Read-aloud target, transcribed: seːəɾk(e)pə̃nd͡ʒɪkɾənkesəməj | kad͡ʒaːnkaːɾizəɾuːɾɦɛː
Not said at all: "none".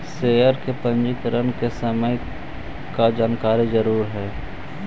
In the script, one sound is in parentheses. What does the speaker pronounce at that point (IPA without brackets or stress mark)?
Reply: e